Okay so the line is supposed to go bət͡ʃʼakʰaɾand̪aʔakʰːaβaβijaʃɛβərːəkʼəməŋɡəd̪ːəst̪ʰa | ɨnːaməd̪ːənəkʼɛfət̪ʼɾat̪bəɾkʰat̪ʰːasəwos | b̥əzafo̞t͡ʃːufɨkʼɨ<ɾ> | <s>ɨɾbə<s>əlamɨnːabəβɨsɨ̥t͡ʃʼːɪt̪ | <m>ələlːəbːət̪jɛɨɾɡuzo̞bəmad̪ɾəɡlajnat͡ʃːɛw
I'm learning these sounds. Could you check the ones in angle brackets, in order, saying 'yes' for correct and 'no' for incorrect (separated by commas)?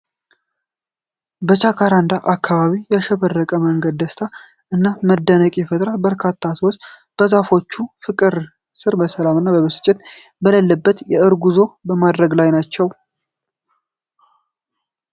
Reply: yes, yes, yes, no